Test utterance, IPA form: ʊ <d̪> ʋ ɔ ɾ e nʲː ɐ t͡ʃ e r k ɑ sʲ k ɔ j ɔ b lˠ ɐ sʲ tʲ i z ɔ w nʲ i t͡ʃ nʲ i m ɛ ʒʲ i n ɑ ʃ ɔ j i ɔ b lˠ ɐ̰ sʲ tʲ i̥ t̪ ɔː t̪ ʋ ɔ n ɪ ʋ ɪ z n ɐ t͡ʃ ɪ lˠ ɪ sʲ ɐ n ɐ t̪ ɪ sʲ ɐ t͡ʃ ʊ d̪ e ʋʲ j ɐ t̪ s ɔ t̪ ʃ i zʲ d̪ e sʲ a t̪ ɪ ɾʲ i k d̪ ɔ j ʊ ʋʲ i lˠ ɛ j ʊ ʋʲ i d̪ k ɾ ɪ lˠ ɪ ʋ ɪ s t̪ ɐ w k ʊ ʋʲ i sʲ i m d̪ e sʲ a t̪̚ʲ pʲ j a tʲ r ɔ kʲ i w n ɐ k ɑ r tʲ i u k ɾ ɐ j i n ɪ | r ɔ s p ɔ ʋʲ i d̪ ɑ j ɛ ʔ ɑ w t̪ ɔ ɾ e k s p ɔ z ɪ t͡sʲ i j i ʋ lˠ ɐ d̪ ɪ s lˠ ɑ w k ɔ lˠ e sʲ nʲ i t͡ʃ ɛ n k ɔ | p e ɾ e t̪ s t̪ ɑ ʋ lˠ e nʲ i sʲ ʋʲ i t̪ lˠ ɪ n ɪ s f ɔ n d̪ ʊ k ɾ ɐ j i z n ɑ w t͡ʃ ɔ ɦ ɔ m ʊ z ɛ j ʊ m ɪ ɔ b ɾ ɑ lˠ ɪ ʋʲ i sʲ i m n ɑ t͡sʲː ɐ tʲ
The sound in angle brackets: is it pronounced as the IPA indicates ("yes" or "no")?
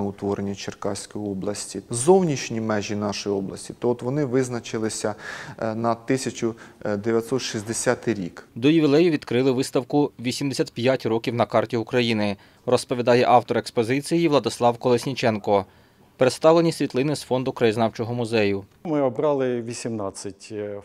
no